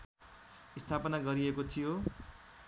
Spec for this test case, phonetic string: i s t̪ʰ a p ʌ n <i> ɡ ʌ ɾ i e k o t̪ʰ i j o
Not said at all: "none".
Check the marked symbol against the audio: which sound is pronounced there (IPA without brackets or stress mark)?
a